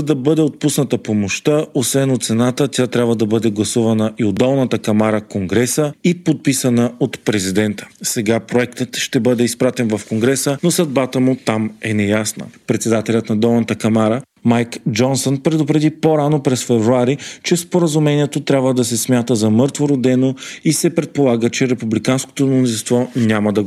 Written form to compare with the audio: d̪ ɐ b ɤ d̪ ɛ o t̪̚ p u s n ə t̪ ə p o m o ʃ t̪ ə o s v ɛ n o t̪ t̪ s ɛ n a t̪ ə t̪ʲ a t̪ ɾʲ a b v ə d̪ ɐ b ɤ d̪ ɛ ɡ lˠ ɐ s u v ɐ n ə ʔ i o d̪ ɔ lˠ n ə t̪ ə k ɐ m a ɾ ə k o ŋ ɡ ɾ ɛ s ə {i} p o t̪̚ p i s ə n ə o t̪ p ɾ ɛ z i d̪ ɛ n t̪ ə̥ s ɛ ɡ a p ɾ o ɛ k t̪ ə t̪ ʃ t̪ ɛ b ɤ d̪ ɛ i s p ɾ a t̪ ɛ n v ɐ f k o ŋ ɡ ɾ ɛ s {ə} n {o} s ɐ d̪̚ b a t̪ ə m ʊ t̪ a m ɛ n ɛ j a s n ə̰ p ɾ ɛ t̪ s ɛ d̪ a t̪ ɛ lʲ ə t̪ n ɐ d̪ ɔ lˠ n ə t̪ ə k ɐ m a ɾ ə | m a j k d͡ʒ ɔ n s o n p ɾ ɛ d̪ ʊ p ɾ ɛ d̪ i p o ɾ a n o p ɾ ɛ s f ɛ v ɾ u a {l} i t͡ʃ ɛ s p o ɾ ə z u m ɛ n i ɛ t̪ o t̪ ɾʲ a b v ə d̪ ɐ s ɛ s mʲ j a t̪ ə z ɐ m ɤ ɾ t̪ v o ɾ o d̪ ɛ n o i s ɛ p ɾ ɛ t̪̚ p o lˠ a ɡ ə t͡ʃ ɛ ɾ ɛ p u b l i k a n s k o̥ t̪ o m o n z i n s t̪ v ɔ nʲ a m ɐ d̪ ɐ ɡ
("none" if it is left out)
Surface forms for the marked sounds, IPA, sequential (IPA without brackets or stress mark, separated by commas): i, ə, o, ɾ